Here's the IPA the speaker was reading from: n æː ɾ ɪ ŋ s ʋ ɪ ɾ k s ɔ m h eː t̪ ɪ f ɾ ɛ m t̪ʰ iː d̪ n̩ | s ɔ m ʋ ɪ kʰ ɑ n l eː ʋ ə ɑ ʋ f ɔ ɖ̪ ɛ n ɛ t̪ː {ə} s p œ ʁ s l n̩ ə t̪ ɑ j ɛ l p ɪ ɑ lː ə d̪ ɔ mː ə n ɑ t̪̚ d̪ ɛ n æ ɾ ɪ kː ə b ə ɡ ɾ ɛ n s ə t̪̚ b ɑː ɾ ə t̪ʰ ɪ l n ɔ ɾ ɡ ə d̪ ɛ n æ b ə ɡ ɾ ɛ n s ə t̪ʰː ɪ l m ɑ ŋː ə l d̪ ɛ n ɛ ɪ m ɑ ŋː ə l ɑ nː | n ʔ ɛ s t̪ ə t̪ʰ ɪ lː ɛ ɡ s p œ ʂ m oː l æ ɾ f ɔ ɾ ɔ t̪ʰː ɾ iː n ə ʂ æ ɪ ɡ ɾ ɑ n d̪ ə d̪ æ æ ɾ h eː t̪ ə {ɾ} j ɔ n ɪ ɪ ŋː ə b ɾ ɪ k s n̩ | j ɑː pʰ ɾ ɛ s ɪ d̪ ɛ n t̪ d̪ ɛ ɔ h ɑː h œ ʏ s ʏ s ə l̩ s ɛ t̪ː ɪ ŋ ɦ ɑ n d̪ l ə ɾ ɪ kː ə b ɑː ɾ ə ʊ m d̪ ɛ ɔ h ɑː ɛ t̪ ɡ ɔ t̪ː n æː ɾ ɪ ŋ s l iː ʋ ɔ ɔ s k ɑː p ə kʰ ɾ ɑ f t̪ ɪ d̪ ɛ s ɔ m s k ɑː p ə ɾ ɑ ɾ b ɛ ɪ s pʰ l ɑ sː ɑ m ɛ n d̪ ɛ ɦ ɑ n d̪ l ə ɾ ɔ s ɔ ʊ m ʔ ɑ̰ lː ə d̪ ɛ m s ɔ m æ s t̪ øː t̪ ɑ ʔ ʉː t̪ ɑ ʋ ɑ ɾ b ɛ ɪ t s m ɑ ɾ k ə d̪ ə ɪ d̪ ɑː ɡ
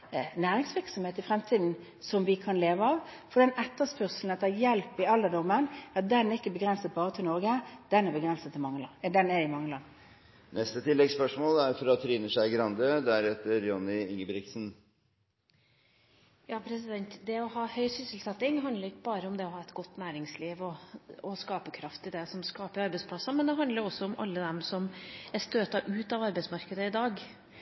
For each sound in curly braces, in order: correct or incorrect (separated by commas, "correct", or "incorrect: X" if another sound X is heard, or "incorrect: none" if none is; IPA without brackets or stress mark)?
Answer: correct, correct